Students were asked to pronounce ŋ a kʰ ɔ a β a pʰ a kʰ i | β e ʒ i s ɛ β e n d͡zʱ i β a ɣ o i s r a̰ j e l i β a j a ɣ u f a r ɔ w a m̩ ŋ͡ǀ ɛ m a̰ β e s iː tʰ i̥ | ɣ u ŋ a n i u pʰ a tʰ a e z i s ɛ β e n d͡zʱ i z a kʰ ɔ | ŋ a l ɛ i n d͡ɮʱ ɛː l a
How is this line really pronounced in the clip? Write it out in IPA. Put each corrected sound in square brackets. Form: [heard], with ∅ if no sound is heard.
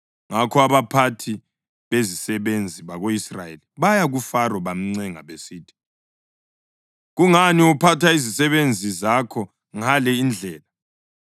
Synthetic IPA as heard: ŋ a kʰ ɔ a β a pʰ a [tʰ] i | β e [z] i s ɛ β e n d͡zʱ i β a ɣ o i s r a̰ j e l i β a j a ɣ u f a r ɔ [β] a m̩ ŋ͡ǀ ɛ [ŋ] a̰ β e s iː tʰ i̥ | ɣ u ŋ a n i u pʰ a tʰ a [i] z i s ɛ β e n d͡zʱ i z a kʰ ɔ | ŋ a l ɛ i n d͡ɮʱ ɛː l a